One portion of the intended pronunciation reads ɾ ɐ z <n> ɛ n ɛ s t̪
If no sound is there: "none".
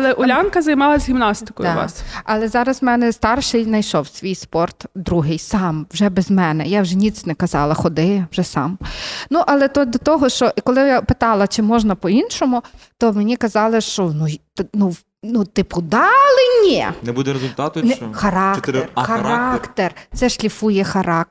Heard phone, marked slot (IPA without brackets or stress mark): m